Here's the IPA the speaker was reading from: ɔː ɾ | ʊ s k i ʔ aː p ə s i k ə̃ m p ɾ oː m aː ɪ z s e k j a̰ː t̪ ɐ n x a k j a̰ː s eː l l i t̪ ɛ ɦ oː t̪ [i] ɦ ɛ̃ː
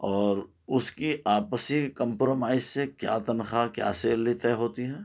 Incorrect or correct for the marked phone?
correct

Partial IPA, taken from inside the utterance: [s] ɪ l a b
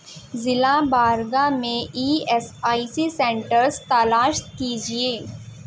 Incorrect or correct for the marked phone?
incorrect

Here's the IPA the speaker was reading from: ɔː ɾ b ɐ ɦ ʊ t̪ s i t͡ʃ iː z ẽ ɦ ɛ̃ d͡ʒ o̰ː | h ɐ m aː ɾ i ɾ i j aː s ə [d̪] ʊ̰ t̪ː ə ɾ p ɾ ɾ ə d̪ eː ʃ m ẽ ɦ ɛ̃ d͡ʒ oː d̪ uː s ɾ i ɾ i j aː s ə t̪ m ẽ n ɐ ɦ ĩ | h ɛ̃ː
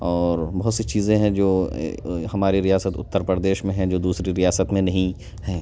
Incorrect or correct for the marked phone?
incorrect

